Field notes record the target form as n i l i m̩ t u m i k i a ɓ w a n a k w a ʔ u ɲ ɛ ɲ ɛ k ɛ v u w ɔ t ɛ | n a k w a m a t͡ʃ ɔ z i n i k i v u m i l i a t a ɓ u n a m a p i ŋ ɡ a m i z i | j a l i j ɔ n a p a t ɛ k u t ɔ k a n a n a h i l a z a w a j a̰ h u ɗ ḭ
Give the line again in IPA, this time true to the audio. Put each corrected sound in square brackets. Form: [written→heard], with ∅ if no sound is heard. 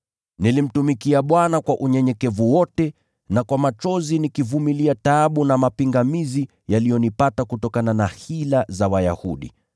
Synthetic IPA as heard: n i l i m̩ t u m i k i a ɓ w a n a k w a ʔ u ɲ ɛ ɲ ɛ k ɛ v u w ɔ t ɛ | n a k w a m a t͡ʃ ɔ z i n i k i v u m i l i a t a ɓ u n a m a p i ŋ ɡ a m i z i | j a l i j ɔ n [a→i] p a t [ɛ→a] k u t ɔ k a n a n a h i l a z a w a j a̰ h u ɗ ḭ

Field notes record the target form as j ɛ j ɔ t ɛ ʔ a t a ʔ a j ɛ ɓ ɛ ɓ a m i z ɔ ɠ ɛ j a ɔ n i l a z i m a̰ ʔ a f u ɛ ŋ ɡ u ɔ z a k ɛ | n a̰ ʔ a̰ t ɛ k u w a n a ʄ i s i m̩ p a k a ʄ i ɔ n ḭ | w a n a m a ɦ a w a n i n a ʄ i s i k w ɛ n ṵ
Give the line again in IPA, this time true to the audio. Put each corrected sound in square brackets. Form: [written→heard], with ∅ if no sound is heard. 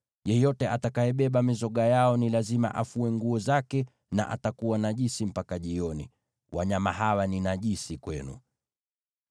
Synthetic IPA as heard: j ɛ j ɔ t ɛ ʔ a t a [ʔ→k] a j ɛ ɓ ɛ ɓ a m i z ɔ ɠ [ɛ→a] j a ɔ n i l a z i m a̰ ʔ a f u ɛ ŋ ɡ u ɔ z a k ɛ | n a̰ ʔ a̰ t [ɛ→a] k u w a n a ʄ i s i m̩ p a k a ʄ i ɔ n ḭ | w a [n→ɲ] a m a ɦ a w a n i n a ʄ i s i k w ɛ n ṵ

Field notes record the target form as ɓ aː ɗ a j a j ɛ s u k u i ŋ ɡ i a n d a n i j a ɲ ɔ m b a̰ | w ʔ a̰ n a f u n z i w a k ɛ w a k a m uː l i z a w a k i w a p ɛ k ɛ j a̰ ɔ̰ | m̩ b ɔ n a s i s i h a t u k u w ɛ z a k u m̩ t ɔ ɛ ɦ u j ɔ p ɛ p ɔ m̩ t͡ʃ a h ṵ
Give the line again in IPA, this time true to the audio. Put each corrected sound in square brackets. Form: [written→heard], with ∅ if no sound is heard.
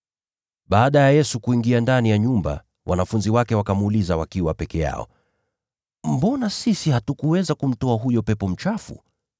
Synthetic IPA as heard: ɓ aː ɗ a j a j ɛ s u k u i ŋ ɡ i a n d a n i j a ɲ [ɔ→u] m b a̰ | w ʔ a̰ n a f u n z i w a k ɛ w a k a m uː l i z a w a k i w a p ɛ k ɛ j a̰ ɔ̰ | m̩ b ɔ n a s i s i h a t u k u w ɛ z a k u m̩ t ɔ [ɛ→a] ɦ u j ɔ p ɛ p ɔ m̩ t͡ʃ a [h→f] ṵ

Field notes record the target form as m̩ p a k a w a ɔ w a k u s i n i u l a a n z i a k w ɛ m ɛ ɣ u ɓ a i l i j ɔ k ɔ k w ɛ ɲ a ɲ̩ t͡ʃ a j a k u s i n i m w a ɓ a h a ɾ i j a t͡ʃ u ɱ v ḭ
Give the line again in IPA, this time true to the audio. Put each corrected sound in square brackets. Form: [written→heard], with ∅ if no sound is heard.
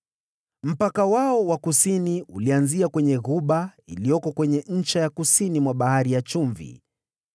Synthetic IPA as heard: m̩ p a k a w a ɔ w a k u s i n i u l [a→i] a n z i a k w ɛ [m→ɲ] ɛ ɣ u ɓ a i l i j ɔ k ɔ k w ɛ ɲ [a→ɛ] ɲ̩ t͡ʃ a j a k u s i n i m w a ɓ a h a ɾ i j a t͡ʃ u ɱ v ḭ

